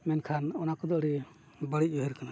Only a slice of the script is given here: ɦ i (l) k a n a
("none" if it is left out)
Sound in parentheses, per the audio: ɾ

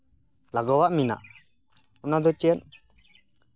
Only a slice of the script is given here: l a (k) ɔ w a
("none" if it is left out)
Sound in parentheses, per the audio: ɡ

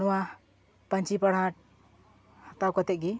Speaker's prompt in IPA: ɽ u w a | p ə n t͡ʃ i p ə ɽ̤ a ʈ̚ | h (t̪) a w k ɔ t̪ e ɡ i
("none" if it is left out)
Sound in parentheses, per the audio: t̪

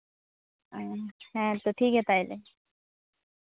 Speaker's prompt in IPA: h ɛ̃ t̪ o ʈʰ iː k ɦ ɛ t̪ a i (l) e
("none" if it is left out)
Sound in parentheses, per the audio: l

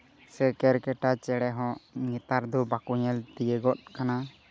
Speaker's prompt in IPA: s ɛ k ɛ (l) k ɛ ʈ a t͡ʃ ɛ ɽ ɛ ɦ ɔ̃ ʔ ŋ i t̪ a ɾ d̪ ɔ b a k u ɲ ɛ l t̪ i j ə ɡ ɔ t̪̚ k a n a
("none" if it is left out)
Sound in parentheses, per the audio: ɾ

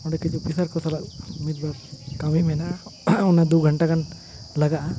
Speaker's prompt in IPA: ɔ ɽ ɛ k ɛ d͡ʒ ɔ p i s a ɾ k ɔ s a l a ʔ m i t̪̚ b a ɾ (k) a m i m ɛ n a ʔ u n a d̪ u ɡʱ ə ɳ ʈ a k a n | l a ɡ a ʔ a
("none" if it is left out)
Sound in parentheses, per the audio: k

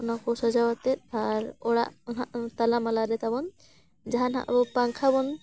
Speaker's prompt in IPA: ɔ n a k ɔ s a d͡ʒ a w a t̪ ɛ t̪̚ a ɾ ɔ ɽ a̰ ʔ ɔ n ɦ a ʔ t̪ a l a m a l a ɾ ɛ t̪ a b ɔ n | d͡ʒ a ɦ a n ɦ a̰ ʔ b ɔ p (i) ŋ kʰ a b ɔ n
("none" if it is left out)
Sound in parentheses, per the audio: a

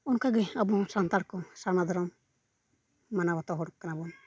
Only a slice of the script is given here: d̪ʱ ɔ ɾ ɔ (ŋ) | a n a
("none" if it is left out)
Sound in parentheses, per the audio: m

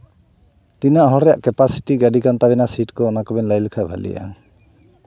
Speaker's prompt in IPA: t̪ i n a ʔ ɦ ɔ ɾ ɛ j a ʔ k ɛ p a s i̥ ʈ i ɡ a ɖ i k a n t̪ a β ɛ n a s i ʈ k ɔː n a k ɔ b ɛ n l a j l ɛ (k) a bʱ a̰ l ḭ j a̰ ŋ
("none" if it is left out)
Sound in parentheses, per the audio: kʰ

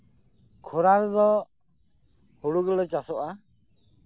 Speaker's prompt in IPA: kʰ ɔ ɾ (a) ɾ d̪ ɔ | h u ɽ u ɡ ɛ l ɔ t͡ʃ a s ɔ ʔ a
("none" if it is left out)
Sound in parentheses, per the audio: a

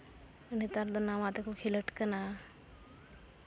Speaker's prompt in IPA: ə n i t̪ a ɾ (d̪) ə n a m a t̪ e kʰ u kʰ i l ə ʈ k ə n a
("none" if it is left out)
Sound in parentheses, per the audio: d̪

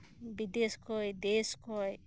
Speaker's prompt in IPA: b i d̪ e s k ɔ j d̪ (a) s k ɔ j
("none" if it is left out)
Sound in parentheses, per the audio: e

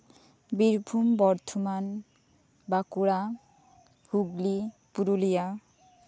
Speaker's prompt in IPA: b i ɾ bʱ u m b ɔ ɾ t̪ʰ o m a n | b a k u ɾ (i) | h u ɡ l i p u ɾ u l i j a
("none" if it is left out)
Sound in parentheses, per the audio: a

